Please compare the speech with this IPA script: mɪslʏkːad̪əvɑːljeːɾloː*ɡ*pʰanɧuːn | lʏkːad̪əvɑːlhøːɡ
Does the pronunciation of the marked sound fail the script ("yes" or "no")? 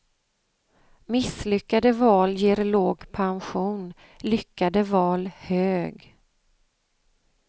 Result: no